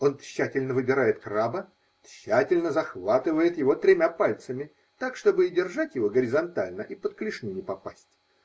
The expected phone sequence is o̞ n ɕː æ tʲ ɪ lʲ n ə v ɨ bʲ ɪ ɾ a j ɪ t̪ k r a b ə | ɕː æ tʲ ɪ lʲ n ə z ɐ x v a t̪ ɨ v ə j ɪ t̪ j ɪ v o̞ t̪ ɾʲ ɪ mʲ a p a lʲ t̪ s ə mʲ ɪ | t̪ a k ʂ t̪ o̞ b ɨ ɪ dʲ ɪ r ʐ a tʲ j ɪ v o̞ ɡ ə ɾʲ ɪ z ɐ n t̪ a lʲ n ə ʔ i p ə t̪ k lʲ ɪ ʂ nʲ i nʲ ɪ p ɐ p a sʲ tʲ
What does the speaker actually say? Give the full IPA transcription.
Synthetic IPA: o̞ n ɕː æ tʲ ɪ lʲ n ə v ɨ bʲ ɪ ɾ a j ɪ t̪ k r a b ə | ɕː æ tʲ ɪ lʲ n ə z ɐ x v a t̪ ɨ v ə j ɪ t̪ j ɪ v o̞ t̪ ɾʲ ɪ mʲ a p a lʲ t̪ s ə mʲ ɪ | t̪ a k ʂ t̪ o̞ b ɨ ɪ dʲ ɪ r ʐ a tʲ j ɪ v o̞ ɡ ə ɾʲ ɪ z ɐ n t̪ a lʲ n ə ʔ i p ə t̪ k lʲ ɪ ʂ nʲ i nʲ ɪ p ɐ p a sʲ tʲ